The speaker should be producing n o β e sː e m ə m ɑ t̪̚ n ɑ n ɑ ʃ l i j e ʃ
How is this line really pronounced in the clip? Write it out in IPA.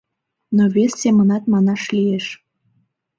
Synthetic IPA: n o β e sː e m ə n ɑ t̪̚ m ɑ n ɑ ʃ l i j e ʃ